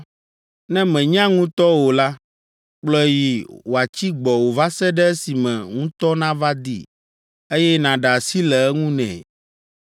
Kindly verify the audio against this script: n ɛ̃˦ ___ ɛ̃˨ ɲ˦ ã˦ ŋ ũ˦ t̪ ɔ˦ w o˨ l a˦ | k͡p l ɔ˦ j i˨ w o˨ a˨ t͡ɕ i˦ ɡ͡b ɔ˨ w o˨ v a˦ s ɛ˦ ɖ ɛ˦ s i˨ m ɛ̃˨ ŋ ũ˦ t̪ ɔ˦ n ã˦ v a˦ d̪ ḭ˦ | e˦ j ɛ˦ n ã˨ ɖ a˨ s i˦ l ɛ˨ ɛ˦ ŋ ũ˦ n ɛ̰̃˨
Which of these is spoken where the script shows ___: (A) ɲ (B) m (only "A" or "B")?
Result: B